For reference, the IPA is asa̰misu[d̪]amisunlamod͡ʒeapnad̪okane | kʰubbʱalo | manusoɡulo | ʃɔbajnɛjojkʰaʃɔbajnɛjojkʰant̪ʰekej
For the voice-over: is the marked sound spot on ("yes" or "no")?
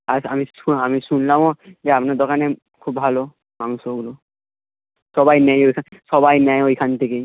no